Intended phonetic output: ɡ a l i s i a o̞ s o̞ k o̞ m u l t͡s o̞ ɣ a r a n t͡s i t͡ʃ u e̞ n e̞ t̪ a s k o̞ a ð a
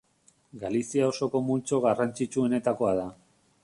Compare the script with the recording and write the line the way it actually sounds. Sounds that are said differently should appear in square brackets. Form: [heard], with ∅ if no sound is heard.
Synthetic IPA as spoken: ɡ a l i s i a o̞ s o̞ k o̞ m u l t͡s o̞ ɣ a r a n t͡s i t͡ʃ u e̞ n e̞ t̪ a [∅] k o̞ a ð a